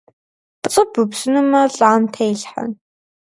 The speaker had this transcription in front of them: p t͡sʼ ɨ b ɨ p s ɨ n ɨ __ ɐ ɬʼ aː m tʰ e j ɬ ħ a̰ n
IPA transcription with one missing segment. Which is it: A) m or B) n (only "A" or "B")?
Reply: A